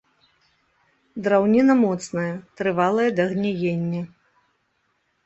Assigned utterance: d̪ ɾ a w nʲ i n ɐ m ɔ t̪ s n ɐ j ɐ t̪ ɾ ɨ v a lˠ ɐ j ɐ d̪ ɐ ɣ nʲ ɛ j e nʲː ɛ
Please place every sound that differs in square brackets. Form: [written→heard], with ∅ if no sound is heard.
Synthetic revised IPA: d̪ ɾ a w nʲ i n ɐ m ɔ t̪ s n ɐ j ɐ t̪ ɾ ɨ v a lˠ ɐ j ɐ d̪ ɐ ɣ nʲ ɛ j e nʲː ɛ